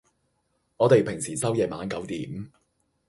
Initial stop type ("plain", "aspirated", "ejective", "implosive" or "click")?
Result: plain